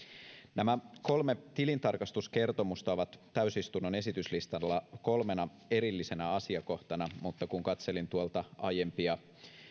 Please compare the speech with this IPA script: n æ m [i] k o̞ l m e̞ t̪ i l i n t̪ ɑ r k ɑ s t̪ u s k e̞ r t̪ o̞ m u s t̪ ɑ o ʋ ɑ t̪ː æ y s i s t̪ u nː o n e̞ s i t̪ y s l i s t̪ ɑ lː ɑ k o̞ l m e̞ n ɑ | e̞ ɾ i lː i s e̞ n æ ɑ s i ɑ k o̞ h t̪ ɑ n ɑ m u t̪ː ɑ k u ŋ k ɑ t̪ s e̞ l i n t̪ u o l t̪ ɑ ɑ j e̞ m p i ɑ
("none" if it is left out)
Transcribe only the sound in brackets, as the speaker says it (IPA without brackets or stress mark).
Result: æ